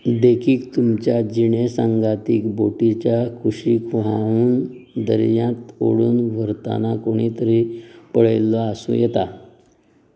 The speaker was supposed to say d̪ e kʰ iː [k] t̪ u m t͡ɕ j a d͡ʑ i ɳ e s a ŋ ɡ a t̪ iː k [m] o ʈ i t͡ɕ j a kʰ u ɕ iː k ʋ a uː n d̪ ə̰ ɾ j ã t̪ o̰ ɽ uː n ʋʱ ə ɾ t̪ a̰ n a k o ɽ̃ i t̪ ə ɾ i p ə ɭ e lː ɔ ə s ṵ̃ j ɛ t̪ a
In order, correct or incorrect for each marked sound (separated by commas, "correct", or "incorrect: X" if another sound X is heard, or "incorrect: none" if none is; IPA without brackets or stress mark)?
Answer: correct, incorrect: b